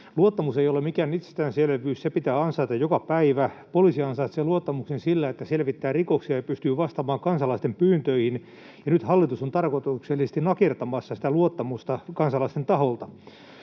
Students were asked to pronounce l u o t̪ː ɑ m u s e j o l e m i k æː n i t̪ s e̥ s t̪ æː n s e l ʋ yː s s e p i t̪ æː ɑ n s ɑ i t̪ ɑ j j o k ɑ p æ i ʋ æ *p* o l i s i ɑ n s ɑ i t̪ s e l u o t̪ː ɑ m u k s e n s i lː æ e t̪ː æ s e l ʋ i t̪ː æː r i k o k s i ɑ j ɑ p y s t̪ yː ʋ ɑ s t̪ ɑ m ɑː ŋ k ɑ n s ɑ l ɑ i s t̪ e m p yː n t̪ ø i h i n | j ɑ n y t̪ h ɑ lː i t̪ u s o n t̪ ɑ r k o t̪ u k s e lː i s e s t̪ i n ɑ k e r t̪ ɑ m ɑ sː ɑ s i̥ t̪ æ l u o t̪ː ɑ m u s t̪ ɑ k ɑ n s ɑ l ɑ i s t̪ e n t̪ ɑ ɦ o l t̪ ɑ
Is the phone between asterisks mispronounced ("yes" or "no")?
no